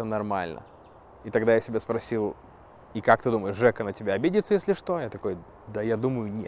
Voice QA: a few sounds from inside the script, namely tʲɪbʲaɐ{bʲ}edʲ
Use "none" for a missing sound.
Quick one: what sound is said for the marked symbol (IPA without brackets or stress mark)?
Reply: bʲ